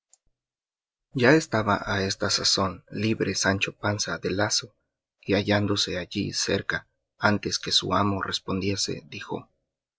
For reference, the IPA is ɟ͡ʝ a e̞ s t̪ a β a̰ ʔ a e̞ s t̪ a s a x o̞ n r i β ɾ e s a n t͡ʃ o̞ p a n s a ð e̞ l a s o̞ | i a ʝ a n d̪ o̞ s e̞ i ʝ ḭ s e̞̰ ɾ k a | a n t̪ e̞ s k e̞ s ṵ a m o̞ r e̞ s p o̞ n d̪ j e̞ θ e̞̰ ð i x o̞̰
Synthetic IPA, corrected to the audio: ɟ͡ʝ a e̞ s t̪ a β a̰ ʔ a e̞ s t̪ a s a s o̞ n l i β ɾ e s a n t͡ʃ o̞ p a n s a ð e̞ l a s o̞ | i a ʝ a n d̪ o̞ s e̞ a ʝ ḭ s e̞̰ ɾ k a | a n t̪ e̞ s k e̞ s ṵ a m o̞ r e̞ s p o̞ n d̪ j e̞ s e̞̰ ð i x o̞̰